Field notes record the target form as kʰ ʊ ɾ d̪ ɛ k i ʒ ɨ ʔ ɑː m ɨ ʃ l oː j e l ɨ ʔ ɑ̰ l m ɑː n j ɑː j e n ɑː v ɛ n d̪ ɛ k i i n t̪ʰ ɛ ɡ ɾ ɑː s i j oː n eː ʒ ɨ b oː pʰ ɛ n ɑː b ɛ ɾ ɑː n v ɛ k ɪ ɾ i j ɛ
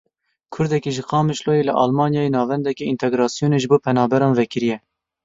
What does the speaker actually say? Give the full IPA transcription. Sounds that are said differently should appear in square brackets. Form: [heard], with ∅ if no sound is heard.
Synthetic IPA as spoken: kʰ ʊ ɾ d̪ ɛ k i ʒ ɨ [q] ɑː m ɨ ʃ l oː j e l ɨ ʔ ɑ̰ l m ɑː n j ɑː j e n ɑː v ɛ n d̪ ɛ k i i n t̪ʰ ɛ ɡ ɾ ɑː s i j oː n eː ʒ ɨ b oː pʰ ɛ n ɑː b ɛ ɾ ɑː n v ɛ k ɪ ɾ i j ɛ